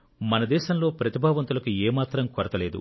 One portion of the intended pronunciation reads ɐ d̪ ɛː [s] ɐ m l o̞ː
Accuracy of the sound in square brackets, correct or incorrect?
incorrect